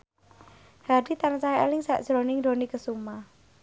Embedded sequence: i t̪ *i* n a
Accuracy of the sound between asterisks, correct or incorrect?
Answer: incorrect